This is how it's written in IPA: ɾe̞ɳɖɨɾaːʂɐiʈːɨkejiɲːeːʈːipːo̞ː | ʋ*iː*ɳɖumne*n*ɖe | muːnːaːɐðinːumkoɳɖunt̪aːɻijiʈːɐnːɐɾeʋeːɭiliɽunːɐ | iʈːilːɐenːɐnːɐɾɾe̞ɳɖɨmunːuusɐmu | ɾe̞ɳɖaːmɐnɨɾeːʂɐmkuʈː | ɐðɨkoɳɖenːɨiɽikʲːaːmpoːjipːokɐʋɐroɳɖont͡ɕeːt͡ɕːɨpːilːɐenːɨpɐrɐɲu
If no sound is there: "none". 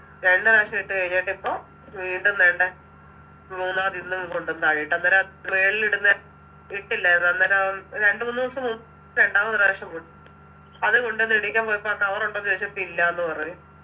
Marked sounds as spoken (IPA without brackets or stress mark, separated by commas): iː, ɳ